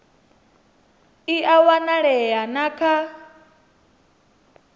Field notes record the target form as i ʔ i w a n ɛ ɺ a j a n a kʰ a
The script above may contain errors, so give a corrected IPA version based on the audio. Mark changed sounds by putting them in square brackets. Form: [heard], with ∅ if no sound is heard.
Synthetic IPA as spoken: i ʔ [a] w a n [a] ɺ [ɛ] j a n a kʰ a